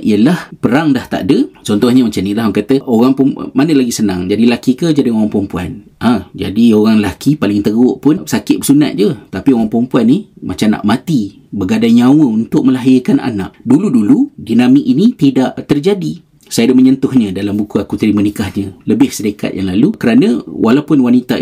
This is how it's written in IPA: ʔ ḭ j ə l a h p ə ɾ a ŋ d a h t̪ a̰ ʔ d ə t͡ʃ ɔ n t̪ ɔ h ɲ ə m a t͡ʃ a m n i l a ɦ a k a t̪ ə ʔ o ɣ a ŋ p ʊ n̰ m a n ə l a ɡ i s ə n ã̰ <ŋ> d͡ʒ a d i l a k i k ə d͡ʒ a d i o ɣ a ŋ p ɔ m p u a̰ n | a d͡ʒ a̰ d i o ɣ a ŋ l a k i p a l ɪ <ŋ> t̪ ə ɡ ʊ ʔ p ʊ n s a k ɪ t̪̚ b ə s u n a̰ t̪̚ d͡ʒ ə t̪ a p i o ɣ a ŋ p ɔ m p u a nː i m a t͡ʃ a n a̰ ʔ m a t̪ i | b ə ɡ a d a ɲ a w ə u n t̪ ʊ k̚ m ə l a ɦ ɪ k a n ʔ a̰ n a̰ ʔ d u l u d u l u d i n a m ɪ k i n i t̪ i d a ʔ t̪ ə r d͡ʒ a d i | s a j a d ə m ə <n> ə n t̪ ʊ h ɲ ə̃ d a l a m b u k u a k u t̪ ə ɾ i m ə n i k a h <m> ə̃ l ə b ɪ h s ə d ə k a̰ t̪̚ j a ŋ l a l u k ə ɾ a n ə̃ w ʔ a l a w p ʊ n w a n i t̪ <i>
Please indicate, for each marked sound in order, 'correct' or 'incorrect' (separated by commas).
correct, correct, incorrect, incorrect, incorrect